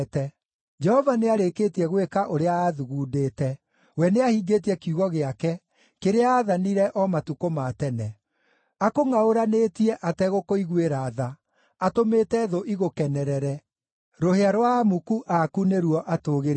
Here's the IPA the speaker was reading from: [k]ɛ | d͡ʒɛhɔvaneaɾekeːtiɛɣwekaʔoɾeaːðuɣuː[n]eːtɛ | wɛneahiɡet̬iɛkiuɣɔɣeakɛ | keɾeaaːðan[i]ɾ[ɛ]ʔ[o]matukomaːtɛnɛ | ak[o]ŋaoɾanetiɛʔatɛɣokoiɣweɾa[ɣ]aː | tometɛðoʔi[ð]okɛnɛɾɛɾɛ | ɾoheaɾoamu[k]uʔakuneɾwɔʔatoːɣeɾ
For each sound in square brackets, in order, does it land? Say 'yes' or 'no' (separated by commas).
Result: no, no, yes, yes, no, yes, no, no, yes